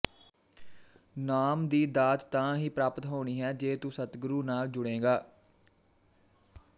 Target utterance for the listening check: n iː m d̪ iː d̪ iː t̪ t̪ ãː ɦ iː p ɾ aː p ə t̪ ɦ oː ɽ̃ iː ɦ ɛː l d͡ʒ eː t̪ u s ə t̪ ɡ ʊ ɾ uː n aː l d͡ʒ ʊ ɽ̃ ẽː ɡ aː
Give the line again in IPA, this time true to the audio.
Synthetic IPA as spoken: n aː m d̪ iː d̪ aː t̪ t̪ ãː ɦ iː p ɾ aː p ə t̪ ɦ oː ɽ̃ iː ɦ ɛː d͡ʒ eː t̪ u s ə t̪ ɡ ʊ ɾ uː n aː l d͡ʒ ʊ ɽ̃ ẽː ɡ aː

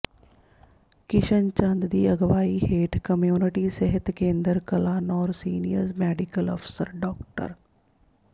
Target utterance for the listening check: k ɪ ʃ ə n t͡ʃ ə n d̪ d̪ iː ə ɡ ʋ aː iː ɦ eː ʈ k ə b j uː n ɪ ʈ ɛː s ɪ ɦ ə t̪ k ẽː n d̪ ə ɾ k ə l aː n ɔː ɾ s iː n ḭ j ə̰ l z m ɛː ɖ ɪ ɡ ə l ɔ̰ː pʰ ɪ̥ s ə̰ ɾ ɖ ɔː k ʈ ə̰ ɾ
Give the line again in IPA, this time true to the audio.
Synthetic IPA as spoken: k ɪ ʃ ə n t͡ʃ ə n d̪ d̪ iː ə ɡ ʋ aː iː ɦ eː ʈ k ə m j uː n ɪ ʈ iː s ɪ ɦ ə t̪ k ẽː n d̪ ə ɾ k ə l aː n ɔː ɾ s iː n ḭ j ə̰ ɾ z m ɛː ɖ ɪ k ə l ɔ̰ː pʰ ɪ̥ s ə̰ ɾ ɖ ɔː k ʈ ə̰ ɾ

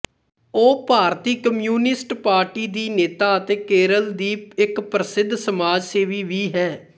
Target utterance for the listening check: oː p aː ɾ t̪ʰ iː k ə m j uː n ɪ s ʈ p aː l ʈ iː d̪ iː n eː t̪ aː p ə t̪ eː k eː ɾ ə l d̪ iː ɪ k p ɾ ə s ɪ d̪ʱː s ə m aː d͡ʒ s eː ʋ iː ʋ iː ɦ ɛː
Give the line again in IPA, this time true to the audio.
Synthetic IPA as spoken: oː p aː ɾ t̪ iː k ə m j uː n ɪ s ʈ p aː ɾ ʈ iː d̪ iː n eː t̪ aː ə t̪ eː k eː ɾ ə l d̪ iː ɪ k p ɾ ə s ɪ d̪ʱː s ə m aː d͡ʒ s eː ʋ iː ʋ iː ɦ ɛː

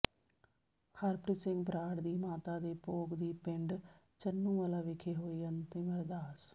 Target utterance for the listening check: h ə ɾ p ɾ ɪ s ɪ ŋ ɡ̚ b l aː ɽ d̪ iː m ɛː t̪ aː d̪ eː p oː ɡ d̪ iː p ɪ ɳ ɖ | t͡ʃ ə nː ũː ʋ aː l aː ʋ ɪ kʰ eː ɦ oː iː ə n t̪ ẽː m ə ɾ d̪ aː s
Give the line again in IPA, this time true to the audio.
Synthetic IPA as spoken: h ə ɾ p ɾ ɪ s ɪ ŋ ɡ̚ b ɾ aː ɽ d̪ iː m aː t̪ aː d̪ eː p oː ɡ d̪ iː p ɪ ɳ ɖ | t͡ʃ ə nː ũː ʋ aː l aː ʋ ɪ kʰ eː ɦ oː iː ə n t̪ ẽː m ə ɾ d̪ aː s

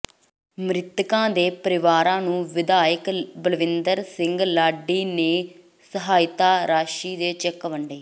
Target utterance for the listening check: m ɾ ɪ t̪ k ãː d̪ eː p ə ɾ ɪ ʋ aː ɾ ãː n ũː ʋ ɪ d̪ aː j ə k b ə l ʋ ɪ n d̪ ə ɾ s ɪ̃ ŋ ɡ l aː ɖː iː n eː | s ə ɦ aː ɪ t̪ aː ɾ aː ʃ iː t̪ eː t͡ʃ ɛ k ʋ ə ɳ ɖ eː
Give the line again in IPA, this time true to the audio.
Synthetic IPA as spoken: m ɾ ɪ t̪ k ãː d̪ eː p ə ɾ ɪ ʋ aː ɾ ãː n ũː ʋ ɪ d̪ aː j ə k b ə l ʋ ɪ n d̪ ə ɾ s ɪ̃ ŋ ɡ l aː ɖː iː n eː | s ə ɦ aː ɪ t̪ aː ɾ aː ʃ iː d̪ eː t͡ʃ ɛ k ʋ ə ɳ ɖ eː

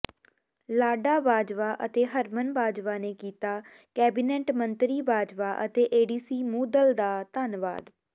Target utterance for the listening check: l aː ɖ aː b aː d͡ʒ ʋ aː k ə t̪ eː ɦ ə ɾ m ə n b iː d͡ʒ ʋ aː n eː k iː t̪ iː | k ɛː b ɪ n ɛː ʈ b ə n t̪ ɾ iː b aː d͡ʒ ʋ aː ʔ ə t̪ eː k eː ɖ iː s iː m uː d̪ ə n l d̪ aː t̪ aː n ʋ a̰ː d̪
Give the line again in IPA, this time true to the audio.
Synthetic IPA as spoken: l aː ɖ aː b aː d͡ʒ ʋ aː ʔ ə t̪ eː ɦ ə ɾ m ə n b aː d͡ʒ ʋ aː n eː k iː t̪ aː | k ɛː b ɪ n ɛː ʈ m ə n t̪ ɾ iː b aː d͡ʒ ʋ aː ʔ ə t̪ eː ʔ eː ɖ iː s iː m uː d̪ ə l d̪ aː t̪ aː n ʋ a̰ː d̪

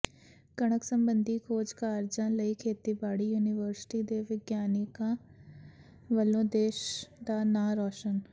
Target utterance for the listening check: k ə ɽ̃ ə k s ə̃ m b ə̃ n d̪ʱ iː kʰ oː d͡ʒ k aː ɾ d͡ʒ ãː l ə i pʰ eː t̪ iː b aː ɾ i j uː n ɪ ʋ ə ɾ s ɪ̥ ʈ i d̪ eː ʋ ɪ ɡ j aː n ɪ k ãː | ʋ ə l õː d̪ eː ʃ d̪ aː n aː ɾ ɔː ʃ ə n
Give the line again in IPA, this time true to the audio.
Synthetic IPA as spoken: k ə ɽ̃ ə k s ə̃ m b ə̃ n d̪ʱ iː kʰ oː d͡ʒ k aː ɾ d͡ʒ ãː l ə i kʰ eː t̪ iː b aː ɽ i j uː n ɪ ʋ ə ɾ s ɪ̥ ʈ i d̪ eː ʋ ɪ ɡ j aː n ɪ k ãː | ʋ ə l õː d̪ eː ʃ d̪ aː n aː ɾ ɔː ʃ ə n

